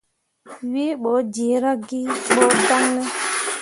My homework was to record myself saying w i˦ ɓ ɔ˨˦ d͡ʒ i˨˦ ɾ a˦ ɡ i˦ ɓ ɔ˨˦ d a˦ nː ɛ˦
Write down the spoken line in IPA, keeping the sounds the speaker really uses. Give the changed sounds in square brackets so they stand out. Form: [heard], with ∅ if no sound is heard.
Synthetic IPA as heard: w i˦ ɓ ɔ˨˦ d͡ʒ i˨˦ ɾ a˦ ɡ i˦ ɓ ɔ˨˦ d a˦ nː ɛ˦